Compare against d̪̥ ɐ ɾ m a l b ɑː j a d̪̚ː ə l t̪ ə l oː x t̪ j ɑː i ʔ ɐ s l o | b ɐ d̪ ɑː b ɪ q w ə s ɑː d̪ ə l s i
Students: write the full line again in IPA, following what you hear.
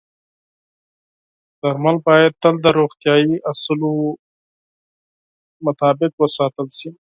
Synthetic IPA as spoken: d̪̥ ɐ ɾ m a l b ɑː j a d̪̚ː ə l d̪ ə ɾ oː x t̪ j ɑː i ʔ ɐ s l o | m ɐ t̪ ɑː b ɪ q w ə s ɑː t̪ ə l s i